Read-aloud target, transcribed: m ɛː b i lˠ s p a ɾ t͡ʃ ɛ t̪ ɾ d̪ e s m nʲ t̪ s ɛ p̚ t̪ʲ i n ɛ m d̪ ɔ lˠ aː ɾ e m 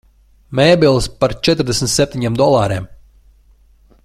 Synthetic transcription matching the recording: m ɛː b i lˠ s p a ɾ t͡ʃ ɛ t̪ ɾ d̪ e s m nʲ t̪ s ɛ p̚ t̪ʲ i ɲ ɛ m d̪ ɔ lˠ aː ɾ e m